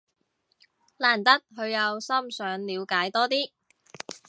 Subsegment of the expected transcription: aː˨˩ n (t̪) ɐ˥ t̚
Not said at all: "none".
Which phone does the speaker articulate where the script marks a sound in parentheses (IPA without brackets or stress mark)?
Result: t̪